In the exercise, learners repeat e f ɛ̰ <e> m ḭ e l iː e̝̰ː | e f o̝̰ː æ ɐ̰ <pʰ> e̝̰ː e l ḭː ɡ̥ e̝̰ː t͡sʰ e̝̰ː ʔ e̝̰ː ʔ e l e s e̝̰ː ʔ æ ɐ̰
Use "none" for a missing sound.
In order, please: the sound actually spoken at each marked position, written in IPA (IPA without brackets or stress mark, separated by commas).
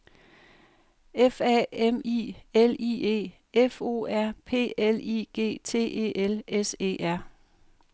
e, pʰ